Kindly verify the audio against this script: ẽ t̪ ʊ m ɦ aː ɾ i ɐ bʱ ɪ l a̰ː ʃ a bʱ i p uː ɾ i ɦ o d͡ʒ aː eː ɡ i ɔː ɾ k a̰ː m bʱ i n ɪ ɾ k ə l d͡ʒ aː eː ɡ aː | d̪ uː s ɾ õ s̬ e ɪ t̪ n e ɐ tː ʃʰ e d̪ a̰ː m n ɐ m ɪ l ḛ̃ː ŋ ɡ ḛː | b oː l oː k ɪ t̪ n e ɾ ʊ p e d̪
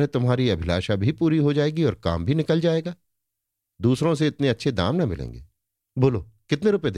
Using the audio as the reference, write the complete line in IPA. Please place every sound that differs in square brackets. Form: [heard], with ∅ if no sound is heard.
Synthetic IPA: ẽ t̪ ʊ m ɦ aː ɾ i ɐ bʱ ɪ l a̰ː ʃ a bʱ i p uː ɾ i ɦ o d͡ʒ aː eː ɡ i ɔː ɾ k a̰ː m bʱ i n ɪ [∅] k ə l d͡ʒ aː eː ɡ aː | d̪ uː s ɾ õ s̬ e ɪ t̪ n e ɐ tː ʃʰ e d̪ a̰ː m n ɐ m ɪ l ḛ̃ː ŋ ɡ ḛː | b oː l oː k ɪ t̪ n e ɾ ʊ p e d̪